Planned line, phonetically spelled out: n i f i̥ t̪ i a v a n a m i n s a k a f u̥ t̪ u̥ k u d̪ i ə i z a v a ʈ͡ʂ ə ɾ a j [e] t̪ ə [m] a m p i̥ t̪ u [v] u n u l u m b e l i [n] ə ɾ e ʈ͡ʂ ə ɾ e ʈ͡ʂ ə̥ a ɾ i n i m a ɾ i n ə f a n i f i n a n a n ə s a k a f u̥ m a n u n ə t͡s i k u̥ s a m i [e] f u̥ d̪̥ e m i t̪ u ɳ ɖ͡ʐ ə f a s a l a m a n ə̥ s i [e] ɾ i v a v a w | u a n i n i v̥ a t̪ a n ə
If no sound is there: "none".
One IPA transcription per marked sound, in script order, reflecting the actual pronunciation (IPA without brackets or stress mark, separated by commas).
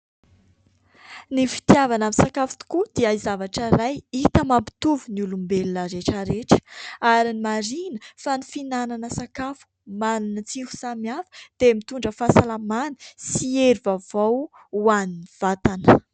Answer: i, m, v, n, a, e